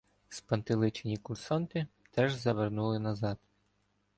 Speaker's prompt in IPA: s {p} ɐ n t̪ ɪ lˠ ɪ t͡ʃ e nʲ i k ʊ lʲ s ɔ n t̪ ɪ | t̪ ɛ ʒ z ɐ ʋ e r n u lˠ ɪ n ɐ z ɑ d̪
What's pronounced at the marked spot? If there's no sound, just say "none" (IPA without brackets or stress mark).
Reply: p